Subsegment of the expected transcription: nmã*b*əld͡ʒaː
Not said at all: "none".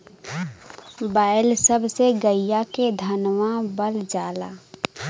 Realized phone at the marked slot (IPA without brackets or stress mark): b